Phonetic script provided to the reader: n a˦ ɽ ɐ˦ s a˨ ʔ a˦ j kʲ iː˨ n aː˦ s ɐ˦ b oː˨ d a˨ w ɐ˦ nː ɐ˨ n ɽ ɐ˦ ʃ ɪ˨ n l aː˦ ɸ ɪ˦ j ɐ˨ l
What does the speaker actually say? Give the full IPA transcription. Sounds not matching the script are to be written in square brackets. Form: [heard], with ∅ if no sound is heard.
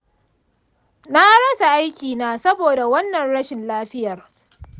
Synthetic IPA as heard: n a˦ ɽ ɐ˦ s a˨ ʔ a˦ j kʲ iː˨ n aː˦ s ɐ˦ b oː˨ d a˨ w ɐ˦ nː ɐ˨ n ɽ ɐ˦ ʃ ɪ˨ n l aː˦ ɸ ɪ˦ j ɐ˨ [r]